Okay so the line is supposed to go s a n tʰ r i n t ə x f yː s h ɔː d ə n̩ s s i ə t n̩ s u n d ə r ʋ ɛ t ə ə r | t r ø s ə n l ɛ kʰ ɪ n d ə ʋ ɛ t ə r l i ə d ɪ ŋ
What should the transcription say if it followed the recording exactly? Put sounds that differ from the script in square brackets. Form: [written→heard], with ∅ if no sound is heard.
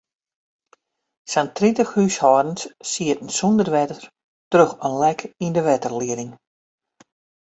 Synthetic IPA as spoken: s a n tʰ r i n t ə x [f→h] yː s h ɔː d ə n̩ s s i ə t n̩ s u n d ə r ʋ ɛ t ə ə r | t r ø [s→x] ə n l ɛ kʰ [ɪ→i] n d ə ʋ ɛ t ə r l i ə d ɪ ŋ

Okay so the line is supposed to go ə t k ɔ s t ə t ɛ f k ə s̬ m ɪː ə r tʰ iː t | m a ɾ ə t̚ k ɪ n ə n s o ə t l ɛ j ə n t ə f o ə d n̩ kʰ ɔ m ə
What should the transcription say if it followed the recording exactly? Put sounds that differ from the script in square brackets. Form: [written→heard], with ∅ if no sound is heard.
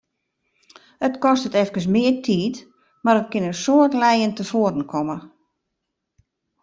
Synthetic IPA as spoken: ə t k ɔ s t ə t ɛ f k ə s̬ m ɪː ə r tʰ iː t | m a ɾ ə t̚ k ɪ n ə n s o ə t l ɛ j ə n t ə f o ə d n̩ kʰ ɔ m ə

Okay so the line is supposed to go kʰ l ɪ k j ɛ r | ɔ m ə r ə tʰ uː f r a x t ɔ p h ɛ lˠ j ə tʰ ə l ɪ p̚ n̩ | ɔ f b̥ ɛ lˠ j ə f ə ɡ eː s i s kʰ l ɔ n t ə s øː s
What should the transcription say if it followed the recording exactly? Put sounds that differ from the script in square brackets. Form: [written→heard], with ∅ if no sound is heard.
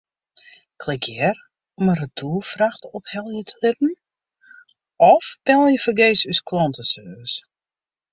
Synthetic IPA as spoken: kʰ l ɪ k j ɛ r | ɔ m ə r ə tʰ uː f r a x t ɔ p h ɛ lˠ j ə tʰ ə l ɪ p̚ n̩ | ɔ f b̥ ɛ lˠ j ə f ə ɡ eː s [i→y] s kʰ l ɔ n t ə s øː s

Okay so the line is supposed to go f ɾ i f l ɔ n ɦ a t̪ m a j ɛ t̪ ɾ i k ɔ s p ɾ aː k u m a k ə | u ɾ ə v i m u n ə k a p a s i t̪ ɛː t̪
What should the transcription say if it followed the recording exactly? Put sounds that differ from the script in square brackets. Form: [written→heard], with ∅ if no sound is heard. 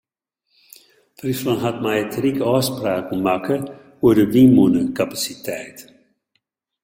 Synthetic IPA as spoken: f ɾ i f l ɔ n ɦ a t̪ m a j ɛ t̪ ɾ i k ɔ s p ɾ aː k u m a k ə | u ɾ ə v i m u n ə k a p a s i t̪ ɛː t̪

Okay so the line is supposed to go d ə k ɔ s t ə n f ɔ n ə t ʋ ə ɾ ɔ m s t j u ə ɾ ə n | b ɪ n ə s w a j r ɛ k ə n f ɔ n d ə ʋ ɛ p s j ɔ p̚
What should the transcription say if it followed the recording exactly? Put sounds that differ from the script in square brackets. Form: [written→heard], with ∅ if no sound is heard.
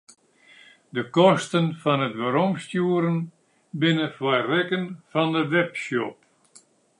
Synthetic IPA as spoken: d ə k ɔ s t ə n f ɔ n ə t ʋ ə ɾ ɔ m s t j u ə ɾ ə n | b ɪ n ə [s→f] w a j r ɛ k ə n f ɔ n d ə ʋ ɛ p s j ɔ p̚

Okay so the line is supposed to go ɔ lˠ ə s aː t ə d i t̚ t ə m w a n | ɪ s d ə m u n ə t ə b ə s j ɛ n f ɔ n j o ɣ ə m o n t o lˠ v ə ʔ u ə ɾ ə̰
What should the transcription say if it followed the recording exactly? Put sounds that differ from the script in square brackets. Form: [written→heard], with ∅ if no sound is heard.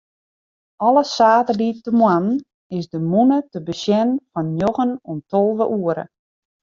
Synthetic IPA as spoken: ɔ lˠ ə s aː t ə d i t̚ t ə m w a n | ɪ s d ə m u n ə t ə b ə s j ɛ n f ɔ n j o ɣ ə [m→n] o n t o lˠ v ə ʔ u ə ɾ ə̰

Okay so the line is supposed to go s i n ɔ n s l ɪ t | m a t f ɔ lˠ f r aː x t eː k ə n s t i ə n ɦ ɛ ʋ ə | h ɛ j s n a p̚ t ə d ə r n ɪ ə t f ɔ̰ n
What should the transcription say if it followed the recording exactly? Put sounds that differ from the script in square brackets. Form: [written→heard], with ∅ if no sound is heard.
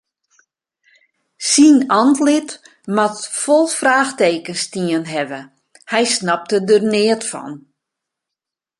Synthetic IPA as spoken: s i n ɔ n [s→t] l ɪ t | m a t f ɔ lˠ f r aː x t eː k ə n s t i ə n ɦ ɛ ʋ ə | h ɛ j s n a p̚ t ə d ə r n ɪ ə t f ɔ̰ n

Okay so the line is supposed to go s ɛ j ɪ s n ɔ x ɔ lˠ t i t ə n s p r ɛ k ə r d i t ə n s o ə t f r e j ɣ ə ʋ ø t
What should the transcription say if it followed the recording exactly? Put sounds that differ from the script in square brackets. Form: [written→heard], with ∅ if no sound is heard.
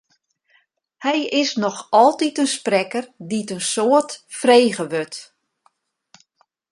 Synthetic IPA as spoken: [s→h] ɛ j ɪ s n ɔ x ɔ lˠ t i t ə n s p r ɛ k ə r d i t ə n s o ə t f r e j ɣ ə ʋ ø t

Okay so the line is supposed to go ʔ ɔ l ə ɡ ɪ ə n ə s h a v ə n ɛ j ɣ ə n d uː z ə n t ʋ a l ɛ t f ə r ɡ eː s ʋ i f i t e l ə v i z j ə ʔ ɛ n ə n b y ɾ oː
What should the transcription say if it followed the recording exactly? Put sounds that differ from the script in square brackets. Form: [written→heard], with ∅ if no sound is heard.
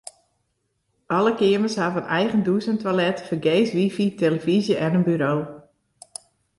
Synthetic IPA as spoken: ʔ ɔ l ə [ɡ→k] ɪ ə [n→m] ə s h a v ə n ɛ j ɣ ə n d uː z ə n t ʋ a l ɛ t f ə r ɡ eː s ʋ i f i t e l ə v i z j ə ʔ ɛ n ə n b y ɾ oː

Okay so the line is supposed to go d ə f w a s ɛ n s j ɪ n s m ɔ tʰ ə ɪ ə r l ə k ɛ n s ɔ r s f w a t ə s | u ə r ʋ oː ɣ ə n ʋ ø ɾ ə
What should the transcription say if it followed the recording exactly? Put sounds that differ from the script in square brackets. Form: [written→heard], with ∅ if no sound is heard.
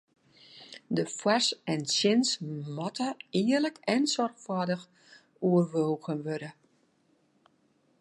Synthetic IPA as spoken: d ə f w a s ɛ n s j ɪ n s m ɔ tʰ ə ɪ ə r l ə k ɛ n s ɔ r [s→x] f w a [t→d] ə [s→x] | u ə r ʋ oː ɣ ə n ʋ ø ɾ ə

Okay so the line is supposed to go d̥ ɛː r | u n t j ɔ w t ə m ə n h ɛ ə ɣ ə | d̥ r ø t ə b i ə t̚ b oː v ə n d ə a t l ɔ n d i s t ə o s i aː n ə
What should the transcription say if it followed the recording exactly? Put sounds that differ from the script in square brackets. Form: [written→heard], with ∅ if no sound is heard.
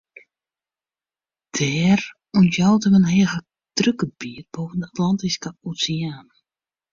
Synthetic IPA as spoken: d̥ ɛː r | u n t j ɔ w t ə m ə n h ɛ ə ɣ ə | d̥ r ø [t→k] ə b i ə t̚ b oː v ə n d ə a t l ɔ n [d→t] i s [t→k] ə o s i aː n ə

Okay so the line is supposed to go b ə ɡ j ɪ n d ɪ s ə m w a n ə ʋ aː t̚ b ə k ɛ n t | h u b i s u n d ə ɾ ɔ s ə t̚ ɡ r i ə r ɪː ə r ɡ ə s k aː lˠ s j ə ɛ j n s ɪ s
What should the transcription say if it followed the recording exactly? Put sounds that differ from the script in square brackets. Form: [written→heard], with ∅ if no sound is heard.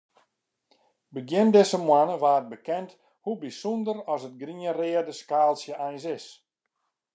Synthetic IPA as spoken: b ə ɡ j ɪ n d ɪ s ə m w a n ə ʋ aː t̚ b ə k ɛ n t | h u b i s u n d ə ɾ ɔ s ə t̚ ɡ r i ə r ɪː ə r [ɡ→d] ə s k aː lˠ s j ə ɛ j n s ɪ s

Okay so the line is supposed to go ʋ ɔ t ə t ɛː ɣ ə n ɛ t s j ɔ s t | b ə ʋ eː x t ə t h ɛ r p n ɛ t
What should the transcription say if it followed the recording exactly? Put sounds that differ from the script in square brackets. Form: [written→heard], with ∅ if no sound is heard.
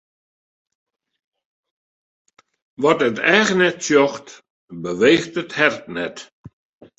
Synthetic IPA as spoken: ʋ ɔ t ə t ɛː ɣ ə n ɛ t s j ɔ [s→x] t | b ə ʋ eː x t ə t h ɛ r [p→t] n ɛ t

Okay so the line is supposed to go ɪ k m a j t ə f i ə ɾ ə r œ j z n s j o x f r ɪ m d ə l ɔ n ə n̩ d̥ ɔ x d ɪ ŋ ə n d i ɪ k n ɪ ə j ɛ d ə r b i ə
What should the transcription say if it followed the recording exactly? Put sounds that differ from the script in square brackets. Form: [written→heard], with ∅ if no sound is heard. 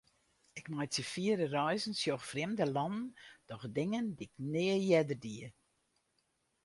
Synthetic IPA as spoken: ɪ k m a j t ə f i ə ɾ ə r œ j z n s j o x f r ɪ m d ə l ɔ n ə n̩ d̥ ɔ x d ɪ ŋ ə n d i ɪ k n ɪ ə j ɛ d ə r [b→d] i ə

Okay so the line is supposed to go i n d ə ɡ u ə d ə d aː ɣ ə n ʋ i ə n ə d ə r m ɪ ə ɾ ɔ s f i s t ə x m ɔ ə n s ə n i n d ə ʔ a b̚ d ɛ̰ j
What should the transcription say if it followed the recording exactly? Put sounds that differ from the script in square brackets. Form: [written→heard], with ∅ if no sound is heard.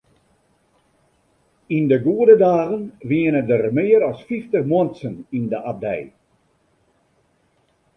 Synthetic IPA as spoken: i n d ə ɡ u ə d ə d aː ɣ ə n ʋ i ə n ə d ə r m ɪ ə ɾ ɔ s f i [s→f] t ə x m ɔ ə n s ə n i n d ə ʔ a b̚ d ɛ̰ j

